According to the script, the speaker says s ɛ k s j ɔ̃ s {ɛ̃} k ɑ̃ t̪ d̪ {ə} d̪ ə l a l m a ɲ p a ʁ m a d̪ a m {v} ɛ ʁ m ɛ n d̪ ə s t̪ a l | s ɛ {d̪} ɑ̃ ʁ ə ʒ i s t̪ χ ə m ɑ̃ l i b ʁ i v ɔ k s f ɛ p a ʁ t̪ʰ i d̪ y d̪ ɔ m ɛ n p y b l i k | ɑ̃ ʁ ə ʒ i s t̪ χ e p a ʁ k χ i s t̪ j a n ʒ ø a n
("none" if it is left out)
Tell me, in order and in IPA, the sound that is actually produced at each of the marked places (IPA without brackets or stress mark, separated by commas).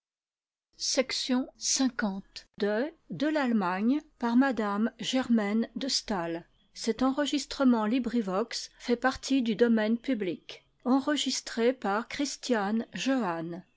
ɛ̃, ə, ʒ, t̪